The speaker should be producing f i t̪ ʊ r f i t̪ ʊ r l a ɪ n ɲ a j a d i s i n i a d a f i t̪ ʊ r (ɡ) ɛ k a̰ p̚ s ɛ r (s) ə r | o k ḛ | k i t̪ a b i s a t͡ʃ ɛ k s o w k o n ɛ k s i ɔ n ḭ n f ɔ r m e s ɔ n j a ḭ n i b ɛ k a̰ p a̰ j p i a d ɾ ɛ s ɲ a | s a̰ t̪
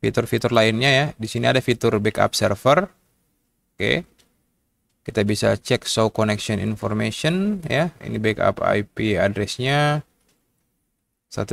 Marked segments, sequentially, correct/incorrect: incorrect: b, incorrect: f

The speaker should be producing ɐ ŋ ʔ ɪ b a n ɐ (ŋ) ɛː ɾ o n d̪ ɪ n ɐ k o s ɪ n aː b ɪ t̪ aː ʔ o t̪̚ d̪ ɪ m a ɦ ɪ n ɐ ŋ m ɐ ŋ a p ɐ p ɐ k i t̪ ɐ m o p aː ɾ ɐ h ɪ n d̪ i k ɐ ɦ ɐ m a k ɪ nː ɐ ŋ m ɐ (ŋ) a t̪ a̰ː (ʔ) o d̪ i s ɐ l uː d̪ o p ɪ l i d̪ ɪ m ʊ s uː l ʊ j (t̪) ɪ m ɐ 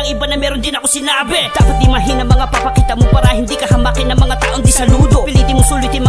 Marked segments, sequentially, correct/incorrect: incorrect: m, correct, correct, correct

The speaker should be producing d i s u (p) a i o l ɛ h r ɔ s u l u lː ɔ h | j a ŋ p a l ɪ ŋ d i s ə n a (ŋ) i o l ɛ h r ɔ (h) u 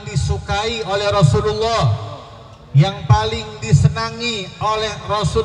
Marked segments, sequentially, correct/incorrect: incorrect: k, correct, incorrect: s

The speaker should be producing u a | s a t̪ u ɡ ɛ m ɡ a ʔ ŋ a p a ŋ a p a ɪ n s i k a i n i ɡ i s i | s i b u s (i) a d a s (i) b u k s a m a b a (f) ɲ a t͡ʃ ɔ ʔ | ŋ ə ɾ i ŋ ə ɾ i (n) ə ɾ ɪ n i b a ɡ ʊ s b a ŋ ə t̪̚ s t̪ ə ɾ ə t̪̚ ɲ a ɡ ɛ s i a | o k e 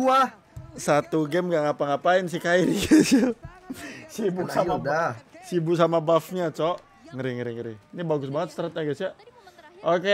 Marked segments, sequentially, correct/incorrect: incorrect: a, correct, correct, incorrect: ŋ

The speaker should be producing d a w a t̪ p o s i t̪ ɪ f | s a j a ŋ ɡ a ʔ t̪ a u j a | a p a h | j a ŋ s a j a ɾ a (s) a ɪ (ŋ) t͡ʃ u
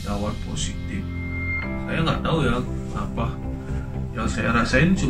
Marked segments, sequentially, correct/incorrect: correct, incorrect: n

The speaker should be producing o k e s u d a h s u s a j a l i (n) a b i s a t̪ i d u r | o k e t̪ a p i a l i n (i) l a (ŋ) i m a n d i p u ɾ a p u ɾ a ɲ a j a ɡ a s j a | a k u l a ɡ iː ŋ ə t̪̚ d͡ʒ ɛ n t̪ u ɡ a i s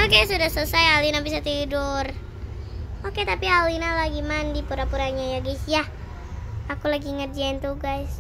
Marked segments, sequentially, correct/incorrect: correct, incorrect: a, incorrect: ɡ

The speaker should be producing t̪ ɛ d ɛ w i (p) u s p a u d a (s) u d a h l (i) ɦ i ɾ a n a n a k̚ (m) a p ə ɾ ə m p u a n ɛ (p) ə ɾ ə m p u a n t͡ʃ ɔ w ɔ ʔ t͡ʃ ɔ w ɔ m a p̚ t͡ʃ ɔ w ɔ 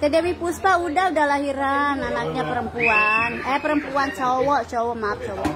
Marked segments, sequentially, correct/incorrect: correct, incorrect: none, incorrect: a, incorrect: ɲ, correct

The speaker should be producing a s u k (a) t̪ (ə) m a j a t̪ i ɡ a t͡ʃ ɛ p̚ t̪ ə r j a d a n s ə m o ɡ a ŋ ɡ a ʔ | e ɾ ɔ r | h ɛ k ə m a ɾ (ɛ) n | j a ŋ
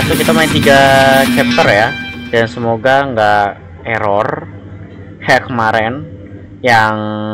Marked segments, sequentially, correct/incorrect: incorrect: i, incorrect: a, correct

